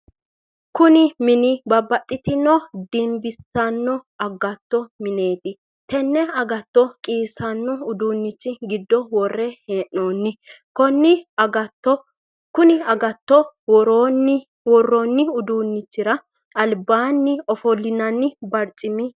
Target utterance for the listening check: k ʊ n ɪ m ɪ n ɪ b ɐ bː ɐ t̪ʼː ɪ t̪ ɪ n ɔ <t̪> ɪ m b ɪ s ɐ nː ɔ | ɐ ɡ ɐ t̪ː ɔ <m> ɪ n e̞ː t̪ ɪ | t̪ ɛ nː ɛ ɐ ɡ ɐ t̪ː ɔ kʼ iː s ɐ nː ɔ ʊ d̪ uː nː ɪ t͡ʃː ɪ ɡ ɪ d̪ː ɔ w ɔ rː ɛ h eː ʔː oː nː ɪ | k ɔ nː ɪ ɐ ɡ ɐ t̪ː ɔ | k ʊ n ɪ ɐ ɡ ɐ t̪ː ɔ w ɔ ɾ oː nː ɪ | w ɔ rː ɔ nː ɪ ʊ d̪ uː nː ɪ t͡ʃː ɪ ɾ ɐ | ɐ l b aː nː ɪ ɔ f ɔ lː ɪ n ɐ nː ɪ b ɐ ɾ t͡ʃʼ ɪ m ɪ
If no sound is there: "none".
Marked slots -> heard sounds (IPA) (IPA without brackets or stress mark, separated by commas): d̪, m